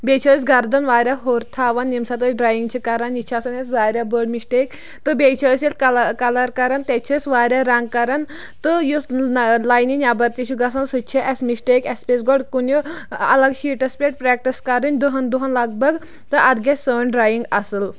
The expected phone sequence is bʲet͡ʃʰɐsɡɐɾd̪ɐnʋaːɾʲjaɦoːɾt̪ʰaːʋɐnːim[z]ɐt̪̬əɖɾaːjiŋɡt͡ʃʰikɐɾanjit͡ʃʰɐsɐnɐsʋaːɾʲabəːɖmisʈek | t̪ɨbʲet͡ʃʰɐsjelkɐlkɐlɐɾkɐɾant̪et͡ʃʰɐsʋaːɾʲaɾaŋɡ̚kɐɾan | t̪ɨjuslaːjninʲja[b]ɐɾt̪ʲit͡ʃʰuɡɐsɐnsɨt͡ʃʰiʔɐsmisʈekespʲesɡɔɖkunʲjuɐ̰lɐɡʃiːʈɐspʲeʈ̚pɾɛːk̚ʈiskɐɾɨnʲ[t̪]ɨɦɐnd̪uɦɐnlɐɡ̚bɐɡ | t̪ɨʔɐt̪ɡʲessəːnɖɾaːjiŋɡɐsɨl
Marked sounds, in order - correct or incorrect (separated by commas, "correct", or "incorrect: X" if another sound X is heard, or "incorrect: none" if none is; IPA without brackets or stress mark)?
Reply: incorrect: s, correct, incorrect: d̪